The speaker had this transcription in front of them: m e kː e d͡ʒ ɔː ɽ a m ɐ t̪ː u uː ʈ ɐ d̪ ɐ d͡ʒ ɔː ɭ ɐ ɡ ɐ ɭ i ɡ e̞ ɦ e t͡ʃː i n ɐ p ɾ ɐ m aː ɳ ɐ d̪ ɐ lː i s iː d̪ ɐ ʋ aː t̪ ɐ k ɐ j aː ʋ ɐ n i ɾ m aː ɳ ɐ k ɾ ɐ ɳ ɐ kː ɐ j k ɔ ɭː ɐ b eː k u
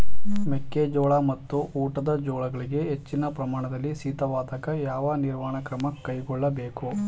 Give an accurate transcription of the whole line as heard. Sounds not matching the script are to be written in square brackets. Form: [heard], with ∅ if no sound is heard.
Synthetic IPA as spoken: m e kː e d͡ʒ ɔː [ɭ] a m ɐ t̪ː u uː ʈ ɐ d̪ ɐ d͡ʒ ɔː ɭ ɐ ɡ ɐ ɭ i ɡ e̞ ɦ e t͡ʃː i n ɐ p ɾ ɐ m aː ɳ ɐ d̪ ɐ lː i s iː [t̪] ɐ ʋ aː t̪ ɐ k ɐ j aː ʋ ɐ n i ɾ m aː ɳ ɐ k ɾ ɐ [m] ɐ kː ɐ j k ɔ ɭː ɐ b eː k u